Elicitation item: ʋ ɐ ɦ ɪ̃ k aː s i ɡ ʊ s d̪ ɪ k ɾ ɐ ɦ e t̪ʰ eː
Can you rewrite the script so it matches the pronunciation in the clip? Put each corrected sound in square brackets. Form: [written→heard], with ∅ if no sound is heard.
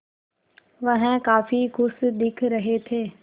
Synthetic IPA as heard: ʋ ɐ ɦ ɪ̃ k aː [s→f] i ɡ ʊ s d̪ ɪ [k→kʰ] ɾ ɐ ɦ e t̪ʰ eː